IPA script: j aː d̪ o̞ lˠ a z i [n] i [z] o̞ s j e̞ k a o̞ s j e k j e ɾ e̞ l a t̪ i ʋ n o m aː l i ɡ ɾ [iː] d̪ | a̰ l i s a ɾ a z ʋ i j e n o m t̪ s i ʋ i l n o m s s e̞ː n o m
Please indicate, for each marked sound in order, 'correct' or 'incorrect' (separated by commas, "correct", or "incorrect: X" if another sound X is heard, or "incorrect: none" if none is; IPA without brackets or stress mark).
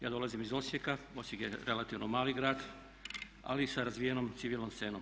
incorrect: m, correct, incorrect: aː